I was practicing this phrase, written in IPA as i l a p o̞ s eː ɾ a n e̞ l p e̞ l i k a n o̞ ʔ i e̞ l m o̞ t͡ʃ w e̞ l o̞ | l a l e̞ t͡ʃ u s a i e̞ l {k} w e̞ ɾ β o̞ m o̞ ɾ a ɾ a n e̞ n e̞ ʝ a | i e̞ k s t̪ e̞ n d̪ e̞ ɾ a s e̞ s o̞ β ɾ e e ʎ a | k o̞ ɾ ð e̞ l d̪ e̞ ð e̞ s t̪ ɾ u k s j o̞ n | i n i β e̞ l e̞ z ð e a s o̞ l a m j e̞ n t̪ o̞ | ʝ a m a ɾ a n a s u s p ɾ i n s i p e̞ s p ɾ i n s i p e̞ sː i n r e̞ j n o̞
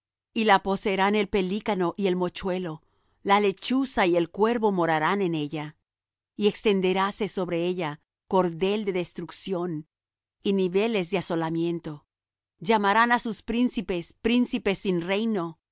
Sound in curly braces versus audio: correct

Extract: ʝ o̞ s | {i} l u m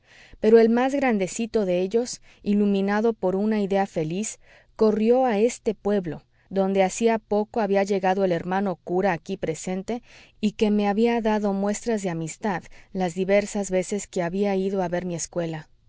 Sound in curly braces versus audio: correct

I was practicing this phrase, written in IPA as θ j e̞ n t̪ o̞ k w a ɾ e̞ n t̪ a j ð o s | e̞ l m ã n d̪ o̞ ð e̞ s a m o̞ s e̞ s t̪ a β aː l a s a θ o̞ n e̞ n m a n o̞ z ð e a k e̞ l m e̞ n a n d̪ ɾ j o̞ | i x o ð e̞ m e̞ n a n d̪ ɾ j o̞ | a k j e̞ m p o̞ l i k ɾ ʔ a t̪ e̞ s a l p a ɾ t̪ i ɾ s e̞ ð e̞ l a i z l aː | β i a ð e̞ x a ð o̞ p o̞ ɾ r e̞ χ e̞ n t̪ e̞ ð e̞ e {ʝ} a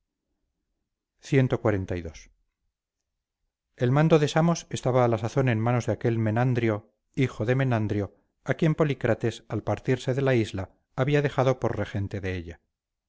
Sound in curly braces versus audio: incorrect: ʎ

